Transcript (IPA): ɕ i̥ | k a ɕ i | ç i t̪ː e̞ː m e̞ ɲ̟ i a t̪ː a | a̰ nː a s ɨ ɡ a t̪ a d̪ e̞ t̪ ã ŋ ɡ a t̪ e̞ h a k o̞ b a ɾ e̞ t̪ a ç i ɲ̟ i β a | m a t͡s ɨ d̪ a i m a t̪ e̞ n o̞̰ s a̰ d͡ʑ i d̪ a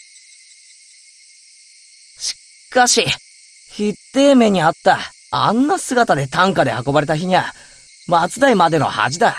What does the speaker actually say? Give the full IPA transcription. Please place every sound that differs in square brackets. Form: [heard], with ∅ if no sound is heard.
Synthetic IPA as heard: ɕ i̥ | k a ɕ i | ç i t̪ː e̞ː m e̞ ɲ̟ i a t̪ː a | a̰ nː a s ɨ ɡ a t̪ a d̪ e̞ t̪ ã ŋ [k] a [d̪] e̞ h a k o̞ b a ɾ e̞ t̪ a ç i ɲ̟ i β a | m a t͡s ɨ d̪ a i m a [d̪] e̞ n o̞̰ [h] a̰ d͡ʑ i d̪ a